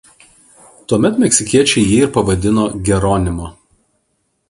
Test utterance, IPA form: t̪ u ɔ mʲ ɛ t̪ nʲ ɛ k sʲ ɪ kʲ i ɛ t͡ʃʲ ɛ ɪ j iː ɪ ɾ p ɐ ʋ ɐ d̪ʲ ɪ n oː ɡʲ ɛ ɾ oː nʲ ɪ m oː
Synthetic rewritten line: t̪ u ɔ mʲ ɛ t̪ mʲ ɛ k sʲ ɪ kʲ i ɛ t͡ʃʲ ɛ ɪ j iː ɪ ɾ p ɐ ʋ ɐ d̪ʲ ɪ n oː ɡʲ ɛ ɾ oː nʲ ɪ m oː